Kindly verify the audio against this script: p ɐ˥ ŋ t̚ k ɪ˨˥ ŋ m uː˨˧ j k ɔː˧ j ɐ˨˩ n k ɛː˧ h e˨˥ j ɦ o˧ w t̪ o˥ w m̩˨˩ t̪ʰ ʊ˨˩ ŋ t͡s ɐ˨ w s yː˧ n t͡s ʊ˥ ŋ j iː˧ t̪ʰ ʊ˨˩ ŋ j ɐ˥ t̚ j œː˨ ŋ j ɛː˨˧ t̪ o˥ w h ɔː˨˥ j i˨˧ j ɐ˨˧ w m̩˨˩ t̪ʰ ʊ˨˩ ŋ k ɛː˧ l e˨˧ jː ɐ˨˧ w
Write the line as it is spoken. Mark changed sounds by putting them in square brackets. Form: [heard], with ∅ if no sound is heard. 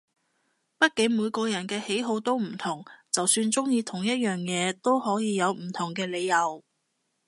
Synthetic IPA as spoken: p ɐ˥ [∅] t̚ k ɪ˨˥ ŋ m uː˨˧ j k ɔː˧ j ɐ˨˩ n k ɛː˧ h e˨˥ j ɦ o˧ w t̪ o˥ w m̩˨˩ t̪ʰ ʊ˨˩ ŋ t͡s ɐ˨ w s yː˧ n t͡s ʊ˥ ŋ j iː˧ t̪ʰ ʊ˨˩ ŋ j ɐ˥ t̚ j œː˨ ŋ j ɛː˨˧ t̪ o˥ w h ɔː˨˥ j [iː˨˧] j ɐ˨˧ w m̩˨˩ t̪ʰ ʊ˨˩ ŋ k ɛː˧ l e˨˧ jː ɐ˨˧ w